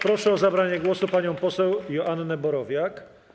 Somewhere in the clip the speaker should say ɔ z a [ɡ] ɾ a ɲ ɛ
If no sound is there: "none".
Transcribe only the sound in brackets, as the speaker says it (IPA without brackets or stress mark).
b